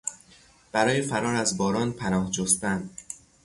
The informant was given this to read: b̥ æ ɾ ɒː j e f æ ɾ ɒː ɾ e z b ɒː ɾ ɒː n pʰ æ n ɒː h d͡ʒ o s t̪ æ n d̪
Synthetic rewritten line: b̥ æ ɾ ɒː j e f æ ɾ ɒː ɾ æ z b ɒː ɾ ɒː n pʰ æ n ɒː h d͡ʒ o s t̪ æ n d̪